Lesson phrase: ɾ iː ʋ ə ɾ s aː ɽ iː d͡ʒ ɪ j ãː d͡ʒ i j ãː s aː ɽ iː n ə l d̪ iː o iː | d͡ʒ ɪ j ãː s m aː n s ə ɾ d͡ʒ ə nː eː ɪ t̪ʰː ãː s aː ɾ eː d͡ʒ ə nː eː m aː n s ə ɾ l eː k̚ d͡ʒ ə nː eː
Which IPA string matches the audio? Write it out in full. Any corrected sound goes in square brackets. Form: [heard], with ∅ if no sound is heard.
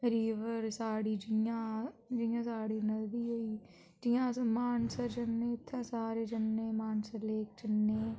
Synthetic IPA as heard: ɾ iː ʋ ə ɾ s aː ɽ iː d͡ʒ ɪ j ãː d͡ʒ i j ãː s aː ɽ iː n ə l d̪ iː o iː | d͡ʒ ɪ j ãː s m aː n s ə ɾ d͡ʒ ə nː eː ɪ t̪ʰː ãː s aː ɾ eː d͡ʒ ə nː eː m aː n s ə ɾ l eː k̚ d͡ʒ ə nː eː